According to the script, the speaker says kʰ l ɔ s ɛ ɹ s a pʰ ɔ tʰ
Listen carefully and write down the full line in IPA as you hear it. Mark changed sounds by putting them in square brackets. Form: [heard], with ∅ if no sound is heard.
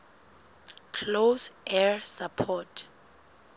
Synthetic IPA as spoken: kʰ l [o] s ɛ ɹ s a pʰ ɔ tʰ